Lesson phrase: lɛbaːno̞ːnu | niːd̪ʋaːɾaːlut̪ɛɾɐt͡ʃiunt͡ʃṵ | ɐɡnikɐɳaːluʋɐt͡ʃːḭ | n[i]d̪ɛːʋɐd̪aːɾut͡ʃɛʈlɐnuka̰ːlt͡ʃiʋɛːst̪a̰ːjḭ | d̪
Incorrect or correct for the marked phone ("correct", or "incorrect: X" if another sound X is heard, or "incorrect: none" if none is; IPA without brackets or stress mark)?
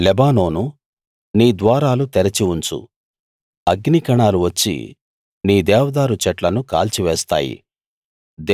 incorrect: iː